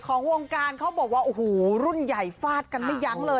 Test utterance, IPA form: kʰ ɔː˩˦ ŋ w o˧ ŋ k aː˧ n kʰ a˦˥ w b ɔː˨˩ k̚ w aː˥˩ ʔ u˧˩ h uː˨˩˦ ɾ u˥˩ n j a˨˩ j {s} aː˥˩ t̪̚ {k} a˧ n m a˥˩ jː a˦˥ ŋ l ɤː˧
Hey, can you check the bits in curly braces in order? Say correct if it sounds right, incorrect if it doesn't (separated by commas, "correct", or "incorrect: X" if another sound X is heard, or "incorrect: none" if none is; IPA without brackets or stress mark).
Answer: incorrect: f, correct